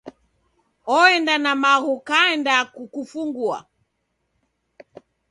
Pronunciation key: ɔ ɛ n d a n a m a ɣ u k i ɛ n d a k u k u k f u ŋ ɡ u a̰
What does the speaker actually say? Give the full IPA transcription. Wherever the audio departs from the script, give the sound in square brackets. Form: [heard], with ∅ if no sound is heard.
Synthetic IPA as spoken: ɔ ɛ n d a n a m a ɣ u k [a] ɛ n d a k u k u [∅] f u ŋ ɡ u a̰